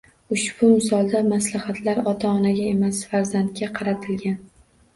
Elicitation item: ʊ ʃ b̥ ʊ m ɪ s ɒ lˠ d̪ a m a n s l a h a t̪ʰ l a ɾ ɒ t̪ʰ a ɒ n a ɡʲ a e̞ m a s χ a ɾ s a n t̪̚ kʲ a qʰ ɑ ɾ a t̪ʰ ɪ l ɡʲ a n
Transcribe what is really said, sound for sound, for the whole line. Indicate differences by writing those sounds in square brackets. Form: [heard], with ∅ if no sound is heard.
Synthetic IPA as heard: ʊ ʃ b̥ ʊ m ɪ s ɒ lˠ d̪ a m a [∅] s l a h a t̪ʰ l a ɾ ɒ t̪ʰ a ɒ n a ɡʲ a e̞ m a s [f] a ɾ [z] a n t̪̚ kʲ a qʰ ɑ ɾ a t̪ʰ ɪ l ɡʲ a n